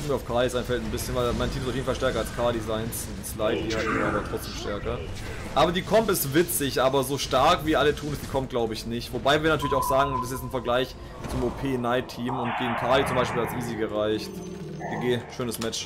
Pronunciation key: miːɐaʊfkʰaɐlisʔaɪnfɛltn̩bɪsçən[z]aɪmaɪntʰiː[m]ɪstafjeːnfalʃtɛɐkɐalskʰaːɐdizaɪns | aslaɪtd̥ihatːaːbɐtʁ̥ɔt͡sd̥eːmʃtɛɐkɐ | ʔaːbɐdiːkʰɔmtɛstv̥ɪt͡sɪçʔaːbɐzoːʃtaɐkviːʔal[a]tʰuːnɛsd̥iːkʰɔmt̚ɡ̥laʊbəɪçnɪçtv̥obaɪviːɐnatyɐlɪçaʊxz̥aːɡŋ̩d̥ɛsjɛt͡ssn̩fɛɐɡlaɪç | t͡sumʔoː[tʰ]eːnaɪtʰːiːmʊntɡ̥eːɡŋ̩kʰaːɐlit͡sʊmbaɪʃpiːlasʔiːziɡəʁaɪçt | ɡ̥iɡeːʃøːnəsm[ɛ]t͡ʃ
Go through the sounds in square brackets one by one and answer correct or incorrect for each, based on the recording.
incorrect, correct, incorrect, incorrect, correct

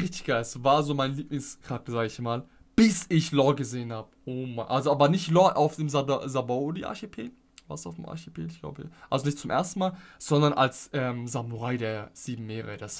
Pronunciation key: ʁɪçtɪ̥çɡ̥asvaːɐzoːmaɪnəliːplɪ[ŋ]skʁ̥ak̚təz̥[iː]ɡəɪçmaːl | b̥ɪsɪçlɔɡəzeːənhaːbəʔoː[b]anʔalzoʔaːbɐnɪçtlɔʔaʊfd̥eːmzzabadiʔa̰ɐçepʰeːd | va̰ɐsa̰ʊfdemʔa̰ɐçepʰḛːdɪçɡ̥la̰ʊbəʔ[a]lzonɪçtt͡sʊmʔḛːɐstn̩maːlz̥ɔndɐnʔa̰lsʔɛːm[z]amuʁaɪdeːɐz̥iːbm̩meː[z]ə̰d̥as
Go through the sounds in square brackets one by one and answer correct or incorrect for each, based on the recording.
correct, incorrect, incorrect, correct, correct, incorrect

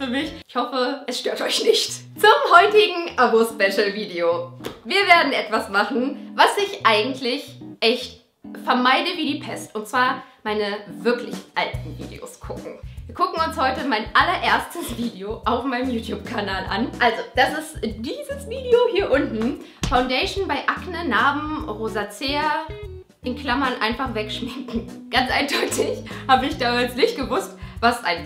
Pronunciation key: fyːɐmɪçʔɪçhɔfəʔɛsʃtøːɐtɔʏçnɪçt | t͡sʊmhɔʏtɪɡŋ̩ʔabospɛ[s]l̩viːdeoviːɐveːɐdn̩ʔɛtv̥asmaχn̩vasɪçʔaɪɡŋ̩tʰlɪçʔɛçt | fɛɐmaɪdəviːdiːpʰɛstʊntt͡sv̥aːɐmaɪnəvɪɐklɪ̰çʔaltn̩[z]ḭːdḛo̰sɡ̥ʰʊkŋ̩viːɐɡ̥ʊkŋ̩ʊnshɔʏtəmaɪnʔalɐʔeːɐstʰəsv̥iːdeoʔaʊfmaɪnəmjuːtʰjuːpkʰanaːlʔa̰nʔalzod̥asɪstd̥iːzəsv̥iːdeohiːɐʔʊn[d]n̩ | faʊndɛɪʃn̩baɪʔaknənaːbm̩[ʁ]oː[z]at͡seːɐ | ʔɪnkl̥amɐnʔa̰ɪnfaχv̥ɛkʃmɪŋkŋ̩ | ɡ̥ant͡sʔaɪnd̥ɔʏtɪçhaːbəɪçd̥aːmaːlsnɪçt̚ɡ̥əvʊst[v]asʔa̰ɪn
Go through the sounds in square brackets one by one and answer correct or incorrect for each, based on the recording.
incorrect, incorrect, incorrect, correct, correct, correct

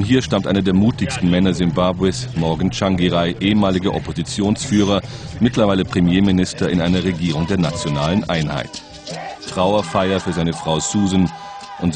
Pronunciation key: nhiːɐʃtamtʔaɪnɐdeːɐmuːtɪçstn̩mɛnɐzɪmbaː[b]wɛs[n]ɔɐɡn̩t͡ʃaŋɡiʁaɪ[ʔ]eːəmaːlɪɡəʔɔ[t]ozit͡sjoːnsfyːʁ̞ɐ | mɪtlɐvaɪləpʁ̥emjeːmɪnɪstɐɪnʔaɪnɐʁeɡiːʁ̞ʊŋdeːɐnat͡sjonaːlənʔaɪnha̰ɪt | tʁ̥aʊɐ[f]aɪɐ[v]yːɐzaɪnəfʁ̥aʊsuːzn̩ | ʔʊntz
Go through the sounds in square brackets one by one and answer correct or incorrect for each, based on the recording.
correct, incorrect, correct, incorrect, correct, incorrect

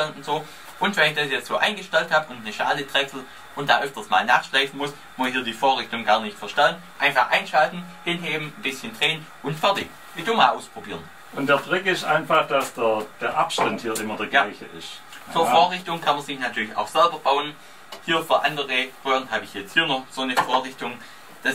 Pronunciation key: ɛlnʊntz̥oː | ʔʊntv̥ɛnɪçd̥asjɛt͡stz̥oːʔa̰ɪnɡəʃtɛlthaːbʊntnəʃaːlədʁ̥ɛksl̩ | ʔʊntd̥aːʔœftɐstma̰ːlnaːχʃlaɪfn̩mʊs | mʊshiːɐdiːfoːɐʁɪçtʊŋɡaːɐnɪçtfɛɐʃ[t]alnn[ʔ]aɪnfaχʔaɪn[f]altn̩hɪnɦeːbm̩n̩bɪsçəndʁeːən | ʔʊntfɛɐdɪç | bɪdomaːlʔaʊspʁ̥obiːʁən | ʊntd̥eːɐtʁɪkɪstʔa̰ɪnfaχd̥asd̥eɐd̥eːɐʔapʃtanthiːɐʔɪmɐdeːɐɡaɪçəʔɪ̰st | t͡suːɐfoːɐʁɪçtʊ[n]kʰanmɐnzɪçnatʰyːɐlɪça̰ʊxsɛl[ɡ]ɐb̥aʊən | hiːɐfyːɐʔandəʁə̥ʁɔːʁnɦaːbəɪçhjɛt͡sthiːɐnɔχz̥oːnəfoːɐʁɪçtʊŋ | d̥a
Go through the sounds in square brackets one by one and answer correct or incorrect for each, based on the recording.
correct, correct, incorrect, incorrect, incorrect

